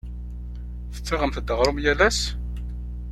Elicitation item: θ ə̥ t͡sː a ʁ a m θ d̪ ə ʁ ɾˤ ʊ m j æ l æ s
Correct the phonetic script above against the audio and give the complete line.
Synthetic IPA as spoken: θ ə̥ t͡sː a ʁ ə m θ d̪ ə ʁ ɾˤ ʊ m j æ l æ s